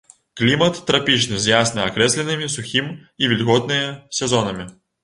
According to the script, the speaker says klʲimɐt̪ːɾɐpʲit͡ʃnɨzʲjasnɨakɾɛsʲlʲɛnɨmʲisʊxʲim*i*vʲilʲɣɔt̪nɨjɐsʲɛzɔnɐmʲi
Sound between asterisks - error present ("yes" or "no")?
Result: no